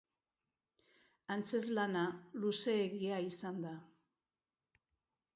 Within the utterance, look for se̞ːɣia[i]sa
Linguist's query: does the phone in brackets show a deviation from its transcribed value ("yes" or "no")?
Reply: no